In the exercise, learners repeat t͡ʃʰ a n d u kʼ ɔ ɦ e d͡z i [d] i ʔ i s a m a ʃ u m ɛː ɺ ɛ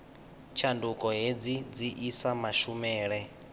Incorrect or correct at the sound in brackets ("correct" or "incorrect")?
incorrect